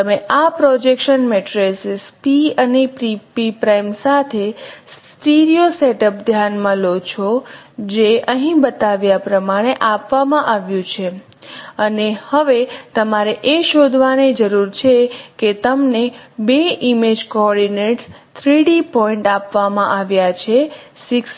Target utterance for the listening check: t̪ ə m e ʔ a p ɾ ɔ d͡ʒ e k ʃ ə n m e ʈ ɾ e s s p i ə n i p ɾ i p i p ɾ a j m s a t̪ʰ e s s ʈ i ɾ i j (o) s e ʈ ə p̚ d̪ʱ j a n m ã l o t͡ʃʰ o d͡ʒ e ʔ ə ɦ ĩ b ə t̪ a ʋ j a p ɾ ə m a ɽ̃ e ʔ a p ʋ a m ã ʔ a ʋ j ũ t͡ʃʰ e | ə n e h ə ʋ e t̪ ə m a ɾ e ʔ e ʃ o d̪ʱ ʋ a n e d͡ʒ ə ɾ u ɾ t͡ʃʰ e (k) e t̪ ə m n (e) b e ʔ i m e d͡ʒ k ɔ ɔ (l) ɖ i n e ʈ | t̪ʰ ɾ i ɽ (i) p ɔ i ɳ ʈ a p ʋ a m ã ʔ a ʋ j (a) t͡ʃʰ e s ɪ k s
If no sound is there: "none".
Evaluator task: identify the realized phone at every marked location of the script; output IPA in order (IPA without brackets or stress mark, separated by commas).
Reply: o, k, e, ɾ, i, a